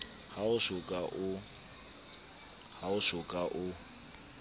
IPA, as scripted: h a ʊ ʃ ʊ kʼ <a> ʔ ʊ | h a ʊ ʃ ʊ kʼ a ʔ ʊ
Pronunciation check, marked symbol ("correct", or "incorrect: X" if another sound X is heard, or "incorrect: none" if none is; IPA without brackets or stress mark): correct